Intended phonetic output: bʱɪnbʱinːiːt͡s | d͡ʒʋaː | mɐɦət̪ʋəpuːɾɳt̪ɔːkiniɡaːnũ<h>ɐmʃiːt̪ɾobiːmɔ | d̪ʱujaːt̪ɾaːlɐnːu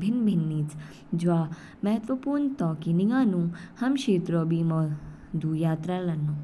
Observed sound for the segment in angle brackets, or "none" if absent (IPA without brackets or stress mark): h